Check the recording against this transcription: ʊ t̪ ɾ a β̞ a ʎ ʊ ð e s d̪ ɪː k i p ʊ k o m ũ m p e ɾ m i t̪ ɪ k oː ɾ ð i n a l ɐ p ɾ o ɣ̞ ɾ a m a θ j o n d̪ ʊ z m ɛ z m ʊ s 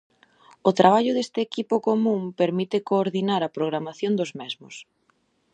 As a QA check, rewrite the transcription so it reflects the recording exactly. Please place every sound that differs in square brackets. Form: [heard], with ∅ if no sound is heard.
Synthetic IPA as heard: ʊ t̪ ɾ a β̞ a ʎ ʊ ð e s [t̪] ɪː k i p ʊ k o m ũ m p e ɾ m i t̪ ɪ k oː ɾ ð i n a [ɾ] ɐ p ɾ o ɣ̞ ɾ a m a θ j o n d̪ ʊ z m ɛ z m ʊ s